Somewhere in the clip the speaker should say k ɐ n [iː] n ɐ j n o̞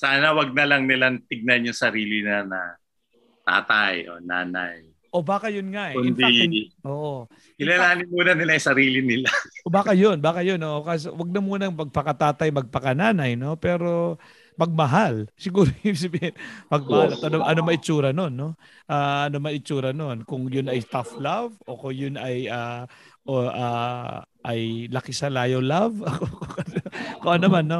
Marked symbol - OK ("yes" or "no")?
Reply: no